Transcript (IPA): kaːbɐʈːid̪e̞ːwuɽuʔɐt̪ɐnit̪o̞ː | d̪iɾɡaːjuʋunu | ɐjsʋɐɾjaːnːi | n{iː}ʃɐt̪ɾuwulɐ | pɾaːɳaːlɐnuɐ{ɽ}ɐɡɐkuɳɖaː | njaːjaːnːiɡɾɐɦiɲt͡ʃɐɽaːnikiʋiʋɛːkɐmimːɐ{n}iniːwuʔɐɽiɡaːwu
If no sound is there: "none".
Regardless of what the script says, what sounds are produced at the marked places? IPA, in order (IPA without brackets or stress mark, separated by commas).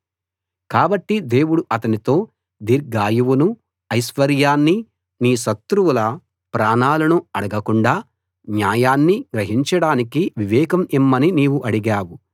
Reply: iː, ɽ, n